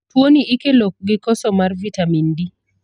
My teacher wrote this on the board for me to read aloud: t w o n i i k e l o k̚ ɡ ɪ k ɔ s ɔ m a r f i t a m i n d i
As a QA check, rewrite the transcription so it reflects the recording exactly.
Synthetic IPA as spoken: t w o n i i k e l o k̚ ɡ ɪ k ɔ s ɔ m a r v i t a m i n d i

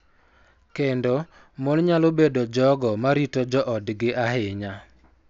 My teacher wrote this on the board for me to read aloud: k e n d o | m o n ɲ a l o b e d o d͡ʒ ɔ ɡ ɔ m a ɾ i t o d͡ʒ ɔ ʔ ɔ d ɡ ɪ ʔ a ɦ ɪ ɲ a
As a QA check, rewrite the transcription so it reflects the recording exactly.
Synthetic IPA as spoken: k e n d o | m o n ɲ a l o b e d o d͡ʒ ɔ ɡ ɔ m a ɾ i t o d͡ʒ ɔ ʔ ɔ d ɡ ɪ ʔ a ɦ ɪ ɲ a

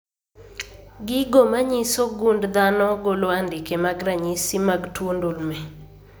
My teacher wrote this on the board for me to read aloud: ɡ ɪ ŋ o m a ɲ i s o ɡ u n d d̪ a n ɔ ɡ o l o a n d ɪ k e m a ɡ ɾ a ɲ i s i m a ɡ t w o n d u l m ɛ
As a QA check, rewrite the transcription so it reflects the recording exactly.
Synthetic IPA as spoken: ɡ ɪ ɡ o m a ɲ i s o ɡ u n d d̪ a n ɔ ɡ o l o a n d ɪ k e m a ɡ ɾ a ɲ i s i m a ɡ t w o n d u l m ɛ

